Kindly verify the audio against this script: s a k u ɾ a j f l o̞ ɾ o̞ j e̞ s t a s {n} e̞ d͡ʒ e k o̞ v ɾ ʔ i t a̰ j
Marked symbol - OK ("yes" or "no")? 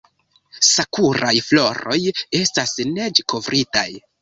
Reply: yes